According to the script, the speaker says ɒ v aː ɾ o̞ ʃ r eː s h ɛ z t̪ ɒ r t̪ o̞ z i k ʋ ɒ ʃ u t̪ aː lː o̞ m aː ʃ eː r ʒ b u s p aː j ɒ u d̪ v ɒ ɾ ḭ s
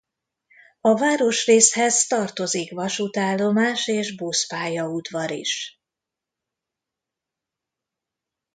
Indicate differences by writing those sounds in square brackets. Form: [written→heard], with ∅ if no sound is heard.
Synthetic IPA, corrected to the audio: ɒ v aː ɾ o̞ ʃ r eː s h ɛ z t̪ ɒ r t̪ o̞ z i k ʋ ɒ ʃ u t̪ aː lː o̞ m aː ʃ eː [r→∅] ʒ b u s p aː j ɒ u d̪ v ɒ ɾ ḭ [s→ʃ]